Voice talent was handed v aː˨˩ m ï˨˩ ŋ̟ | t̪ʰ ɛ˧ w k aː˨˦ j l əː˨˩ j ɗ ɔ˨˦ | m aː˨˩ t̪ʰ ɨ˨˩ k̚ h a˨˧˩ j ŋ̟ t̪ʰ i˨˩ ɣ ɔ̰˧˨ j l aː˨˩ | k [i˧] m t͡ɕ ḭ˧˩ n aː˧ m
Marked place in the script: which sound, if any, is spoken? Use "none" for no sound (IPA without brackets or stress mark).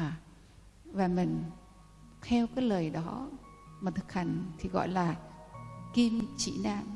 i˧